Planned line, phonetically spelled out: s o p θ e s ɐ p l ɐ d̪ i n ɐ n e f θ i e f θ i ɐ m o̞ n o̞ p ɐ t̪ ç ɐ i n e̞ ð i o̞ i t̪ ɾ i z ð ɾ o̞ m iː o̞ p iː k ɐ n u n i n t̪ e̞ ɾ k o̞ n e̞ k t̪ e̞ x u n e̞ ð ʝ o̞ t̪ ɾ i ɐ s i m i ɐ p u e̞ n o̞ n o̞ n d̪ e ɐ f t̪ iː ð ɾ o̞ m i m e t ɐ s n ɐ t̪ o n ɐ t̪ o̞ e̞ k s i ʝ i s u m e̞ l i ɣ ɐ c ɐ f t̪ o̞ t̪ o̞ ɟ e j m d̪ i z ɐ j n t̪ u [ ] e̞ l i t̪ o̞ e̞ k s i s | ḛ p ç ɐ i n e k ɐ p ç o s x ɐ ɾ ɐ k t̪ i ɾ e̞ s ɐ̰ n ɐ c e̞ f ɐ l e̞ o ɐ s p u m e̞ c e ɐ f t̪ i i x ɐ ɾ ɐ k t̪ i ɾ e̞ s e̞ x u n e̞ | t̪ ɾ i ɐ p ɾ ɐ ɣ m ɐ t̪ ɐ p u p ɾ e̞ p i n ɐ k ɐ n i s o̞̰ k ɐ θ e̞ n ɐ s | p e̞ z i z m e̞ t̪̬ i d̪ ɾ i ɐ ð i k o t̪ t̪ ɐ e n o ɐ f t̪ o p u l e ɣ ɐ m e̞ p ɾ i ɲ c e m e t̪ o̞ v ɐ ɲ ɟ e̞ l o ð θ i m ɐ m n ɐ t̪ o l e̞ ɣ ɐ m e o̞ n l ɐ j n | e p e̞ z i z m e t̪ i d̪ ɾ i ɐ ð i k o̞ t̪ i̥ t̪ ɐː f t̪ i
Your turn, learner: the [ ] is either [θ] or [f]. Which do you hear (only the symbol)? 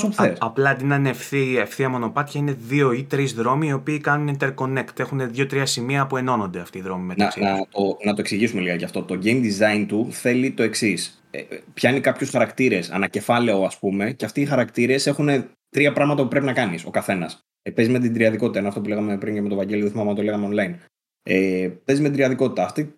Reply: θ